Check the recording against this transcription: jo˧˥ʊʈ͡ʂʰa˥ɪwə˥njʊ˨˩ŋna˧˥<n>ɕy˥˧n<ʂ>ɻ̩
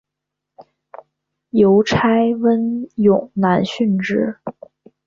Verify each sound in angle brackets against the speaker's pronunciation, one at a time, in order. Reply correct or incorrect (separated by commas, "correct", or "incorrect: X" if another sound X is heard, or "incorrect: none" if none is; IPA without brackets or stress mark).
correct, incorrect: ʈ͡ʂ